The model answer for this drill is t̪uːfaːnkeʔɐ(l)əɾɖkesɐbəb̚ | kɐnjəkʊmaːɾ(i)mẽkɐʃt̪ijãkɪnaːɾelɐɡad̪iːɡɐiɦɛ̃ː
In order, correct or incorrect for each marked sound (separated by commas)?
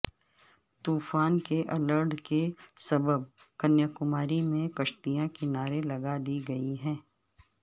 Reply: correct, correct